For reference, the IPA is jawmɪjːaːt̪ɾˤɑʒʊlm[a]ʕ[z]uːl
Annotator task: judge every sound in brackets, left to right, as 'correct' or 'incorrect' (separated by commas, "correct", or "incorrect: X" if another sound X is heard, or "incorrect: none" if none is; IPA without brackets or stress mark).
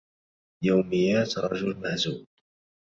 correct, correct